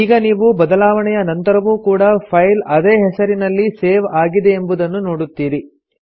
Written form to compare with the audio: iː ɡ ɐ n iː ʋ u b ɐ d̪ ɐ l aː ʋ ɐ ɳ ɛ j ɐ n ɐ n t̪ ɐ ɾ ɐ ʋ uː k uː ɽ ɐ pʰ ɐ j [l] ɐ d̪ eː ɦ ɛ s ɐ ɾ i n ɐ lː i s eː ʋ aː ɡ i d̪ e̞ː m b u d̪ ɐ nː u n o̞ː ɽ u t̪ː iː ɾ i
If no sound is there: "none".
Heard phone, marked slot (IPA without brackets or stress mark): l